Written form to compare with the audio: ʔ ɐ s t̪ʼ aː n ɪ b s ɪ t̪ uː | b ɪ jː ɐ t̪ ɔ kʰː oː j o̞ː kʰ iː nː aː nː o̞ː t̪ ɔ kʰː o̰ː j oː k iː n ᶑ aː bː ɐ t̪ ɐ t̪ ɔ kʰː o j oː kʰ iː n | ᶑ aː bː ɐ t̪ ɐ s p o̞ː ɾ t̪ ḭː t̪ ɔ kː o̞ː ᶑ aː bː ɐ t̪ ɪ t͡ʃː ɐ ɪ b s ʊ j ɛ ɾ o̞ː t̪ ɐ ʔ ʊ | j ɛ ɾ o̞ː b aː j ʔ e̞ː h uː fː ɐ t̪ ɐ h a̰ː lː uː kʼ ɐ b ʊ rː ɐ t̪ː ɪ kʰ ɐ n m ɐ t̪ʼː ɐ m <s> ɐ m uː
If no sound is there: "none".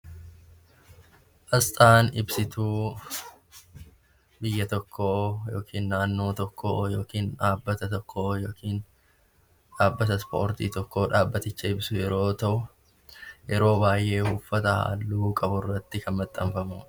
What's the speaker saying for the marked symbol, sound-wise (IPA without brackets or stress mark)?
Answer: f